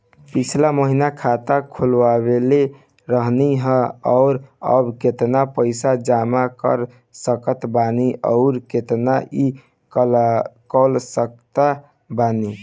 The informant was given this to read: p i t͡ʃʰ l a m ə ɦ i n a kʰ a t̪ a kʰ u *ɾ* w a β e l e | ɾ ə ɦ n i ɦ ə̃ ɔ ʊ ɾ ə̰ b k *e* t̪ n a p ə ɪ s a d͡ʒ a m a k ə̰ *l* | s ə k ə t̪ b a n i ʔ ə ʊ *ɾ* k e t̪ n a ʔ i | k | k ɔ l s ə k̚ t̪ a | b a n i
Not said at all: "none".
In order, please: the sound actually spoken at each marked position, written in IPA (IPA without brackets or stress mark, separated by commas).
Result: l, e, ɾ, ɾ